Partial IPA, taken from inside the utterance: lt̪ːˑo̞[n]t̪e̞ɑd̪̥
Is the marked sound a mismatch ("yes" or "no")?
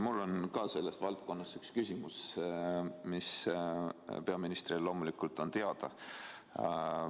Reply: no